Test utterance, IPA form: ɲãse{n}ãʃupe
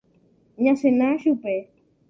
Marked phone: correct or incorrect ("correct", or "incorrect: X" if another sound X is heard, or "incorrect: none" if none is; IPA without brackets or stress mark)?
correct